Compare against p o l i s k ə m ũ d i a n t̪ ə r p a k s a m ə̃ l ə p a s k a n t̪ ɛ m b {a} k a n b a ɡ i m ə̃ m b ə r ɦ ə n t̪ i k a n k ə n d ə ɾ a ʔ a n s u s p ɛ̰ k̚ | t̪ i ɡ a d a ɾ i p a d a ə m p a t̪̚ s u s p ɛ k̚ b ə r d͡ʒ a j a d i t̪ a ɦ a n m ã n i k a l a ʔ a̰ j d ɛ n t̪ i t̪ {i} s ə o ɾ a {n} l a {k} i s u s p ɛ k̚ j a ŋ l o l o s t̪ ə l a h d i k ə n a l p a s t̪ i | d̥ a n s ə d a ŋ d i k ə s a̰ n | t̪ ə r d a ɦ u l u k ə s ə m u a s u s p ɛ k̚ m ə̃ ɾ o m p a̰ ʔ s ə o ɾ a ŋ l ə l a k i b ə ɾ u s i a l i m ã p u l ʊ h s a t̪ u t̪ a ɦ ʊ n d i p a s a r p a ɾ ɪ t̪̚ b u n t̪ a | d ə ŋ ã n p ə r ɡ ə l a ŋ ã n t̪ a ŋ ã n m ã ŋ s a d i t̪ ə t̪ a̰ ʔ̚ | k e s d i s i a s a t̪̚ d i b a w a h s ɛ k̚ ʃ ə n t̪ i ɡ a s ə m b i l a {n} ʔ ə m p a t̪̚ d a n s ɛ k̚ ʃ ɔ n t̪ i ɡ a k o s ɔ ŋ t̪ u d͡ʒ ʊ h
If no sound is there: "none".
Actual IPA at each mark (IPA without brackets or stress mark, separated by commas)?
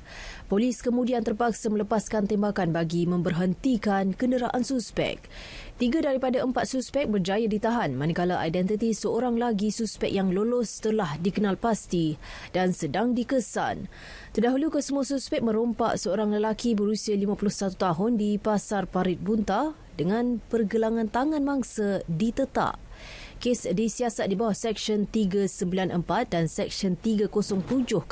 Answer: a, i, ŋ, ɡ, n